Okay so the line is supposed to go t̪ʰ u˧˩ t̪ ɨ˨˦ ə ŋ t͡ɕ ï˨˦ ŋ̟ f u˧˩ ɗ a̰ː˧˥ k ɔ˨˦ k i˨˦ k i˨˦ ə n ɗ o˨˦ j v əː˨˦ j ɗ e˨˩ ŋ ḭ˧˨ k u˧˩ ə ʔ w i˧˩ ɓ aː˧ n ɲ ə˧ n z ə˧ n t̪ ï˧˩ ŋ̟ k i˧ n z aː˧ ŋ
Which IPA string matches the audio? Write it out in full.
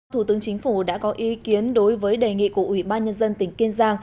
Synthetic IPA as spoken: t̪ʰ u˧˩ t̪ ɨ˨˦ ə ŋ t͡ɕ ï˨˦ ŋ̟ f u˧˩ ɗ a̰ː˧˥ k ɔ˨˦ ʔ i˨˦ k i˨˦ ə n ɗ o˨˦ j v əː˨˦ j ɗ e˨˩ ŋ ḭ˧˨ k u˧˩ ə ʔ w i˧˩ ɓ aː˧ n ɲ ə˧ n z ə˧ n t̪ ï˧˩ ŋ̟ k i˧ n z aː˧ ŋ